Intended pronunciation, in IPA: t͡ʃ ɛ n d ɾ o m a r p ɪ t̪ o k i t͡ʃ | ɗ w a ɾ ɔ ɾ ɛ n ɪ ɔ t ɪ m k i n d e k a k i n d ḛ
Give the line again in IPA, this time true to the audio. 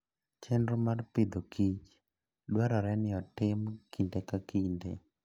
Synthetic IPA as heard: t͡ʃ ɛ n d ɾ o m a r p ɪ d̪ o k i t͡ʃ | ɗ w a ɾ ɔ ɾ ɛ n ɪ ɔ t ɪ m k i n d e k a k i n d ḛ